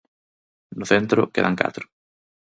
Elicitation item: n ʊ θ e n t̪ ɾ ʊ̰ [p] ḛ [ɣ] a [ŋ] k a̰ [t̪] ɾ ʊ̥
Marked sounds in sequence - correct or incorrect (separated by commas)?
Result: incorrect, incorrect, correct, correct